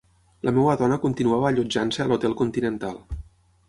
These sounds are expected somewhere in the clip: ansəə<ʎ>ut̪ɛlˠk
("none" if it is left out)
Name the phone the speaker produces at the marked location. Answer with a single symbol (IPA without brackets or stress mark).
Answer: l